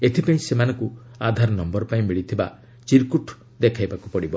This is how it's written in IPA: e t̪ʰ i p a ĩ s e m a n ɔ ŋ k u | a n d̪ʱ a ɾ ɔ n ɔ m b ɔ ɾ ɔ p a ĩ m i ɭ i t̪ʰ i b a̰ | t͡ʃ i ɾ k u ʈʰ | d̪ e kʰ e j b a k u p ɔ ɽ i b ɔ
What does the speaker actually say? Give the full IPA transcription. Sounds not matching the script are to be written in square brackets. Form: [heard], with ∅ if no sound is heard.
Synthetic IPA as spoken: e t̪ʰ i p a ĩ s e m a n ɔ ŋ k u | a [∅] d̪ʱ a ɾ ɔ n ɔ m b ɔ ɾ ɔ p a ĩ m i ɭ i t̪ʰ i b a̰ | t͡ʃ i ɾ k u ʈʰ | d̪ e kʰ [a] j b a k u p ɔ ɽ i b ɔ